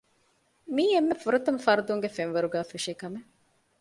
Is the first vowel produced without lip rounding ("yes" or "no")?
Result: yes